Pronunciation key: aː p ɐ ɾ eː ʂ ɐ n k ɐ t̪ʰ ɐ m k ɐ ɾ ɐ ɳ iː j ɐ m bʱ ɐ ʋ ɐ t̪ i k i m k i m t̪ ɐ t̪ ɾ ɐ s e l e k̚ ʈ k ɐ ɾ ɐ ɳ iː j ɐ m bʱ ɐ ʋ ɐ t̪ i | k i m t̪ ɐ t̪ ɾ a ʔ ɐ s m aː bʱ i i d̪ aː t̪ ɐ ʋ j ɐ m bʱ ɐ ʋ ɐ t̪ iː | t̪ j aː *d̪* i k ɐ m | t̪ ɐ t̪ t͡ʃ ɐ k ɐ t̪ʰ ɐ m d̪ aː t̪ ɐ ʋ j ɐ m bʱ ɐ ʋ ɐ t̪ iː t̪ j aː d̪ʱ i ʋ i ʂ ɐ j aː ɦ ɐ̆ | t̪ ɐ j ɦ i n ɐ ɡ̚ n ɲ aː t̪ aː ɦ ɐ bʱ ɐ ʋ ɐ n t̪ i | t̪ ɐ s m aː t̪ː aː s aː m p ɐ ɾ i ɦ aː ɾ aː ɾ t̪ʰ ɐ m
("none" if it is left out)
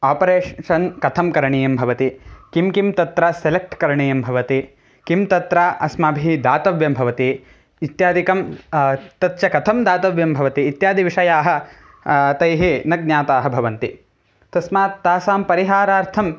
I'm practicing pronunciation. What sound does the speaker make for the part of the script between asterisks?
d̪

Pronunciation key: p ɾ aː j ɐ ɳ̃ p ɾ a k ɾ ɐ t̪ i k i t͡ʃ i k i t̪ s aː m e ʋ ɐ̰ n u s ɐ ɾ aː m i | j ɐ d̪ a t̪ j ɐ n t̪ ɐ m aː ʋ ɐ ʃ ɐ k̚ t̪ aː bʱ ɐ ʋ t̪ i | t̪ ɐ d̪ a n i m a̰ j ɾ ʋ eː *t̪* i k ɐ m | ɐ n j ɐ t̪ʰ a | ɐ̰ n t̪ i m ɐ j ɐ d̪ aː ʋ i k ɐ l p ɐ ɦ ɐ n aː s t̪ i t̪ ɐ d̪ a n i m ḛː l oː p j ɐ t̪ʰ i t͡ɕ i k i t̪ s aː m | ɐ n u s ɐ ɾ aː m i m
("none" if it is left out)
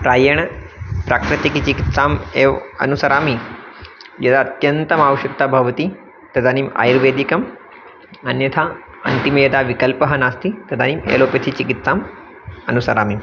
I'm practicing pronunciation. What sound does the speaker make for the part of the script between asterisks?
d̪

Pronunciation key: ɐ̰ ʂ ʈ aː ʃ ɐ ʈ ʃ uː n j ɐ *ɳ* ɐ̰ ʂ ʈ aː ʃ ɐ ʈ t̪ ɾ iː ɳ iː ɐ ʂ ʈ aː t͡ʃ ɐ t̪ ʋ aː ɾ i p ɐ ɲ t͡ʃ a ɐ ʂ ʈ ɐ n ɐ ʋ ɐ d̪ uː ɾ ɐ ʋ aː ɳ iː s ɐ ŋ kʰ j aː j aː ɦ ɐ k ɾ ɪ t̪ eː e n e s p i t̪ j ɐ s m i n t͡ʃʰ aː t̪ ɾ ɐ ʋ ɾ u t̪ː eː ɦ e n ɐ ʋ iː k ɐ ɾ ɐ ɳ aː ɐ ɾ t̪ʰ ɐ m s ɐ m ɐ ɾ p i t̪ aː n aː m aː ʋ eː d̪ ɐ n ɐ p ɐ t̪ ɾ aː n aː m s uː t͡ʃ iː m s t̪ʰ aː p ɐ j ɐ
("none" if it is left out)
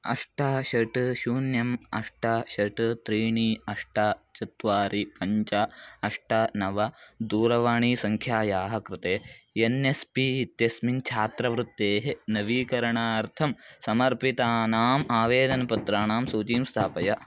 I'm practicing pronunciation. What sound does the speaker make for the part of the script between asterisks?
m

